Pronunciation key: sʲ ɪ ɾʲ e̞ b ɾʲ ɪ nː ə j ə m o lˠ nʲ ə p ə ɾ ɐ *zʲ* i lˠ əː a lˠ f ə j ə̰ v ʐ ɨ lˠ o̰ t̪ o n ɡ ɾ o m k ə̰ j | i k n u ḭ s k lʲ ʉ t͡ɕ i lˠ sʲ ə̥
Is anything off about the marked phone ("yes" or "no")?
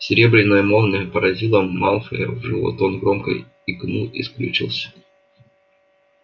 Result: no